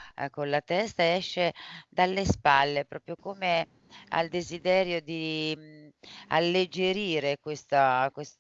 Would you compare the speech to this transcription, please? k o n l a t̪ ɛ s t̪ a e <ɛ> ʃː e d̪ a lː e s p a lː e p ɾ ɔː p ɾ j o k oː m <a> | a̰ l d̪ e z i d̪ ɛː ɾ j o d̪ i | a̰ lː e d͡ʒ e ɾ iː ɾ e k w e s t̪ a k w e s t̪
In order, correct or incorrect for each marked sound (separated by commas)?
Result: correct, incorrect